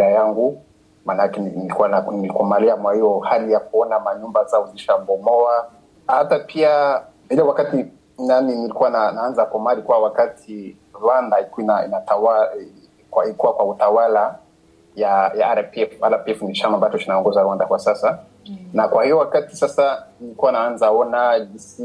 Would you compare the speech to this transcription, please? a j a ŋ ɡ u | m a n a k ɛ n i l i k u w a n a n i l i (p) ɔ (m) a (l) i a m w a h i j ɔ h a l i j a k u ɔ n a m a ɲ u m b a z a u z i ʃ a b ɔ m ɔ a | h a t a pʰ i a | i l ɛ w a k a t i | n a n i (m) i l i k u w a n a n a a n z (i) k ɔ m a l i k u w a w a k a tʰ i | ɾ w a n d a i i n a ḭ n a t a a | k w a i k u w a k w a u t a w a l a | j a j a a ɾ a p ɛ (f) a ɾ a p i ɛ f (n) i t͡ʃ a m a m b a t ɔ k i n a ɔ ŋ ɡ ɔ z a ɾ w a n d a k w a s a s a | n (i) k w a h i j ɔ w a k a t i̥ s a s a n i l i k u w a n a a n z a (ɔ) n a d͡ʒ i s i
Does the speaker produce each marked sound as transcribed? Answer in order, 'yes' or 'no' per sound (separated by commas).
no, yes, yes, no, no, yes, yes, no, yes